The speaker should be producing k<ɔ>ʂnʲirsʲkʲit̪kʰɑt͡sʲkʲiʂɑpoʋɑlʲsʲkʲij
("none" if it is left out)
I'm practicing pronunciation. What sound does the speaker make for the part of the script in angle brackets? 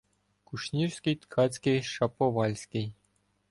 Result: u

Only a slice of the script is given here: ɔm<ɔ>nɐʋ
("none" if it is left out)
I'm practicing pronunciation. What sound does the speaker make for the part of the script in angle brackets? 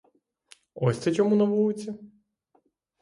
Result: u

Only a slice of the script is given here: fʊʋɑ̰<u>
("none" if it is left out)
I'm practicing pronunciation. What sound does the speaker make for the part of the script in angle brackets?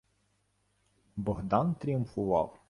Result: w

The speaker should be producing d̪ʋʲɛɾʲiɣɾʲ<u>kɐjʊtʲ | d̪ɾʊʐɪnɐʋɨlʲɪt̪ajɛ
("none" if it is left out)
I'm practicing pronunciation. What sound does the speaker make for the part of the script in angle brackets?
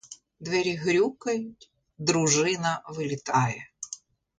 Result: u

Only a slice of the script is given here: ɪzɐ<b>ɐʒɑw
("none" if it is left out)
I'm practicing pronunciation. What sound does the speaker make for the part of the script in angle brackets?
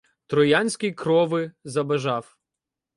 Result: b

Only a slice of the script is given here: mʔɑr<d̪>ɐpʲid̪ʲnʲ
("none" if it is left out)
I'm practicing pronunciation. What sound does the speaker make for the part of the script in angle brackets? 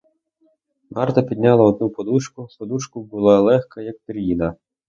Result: t̪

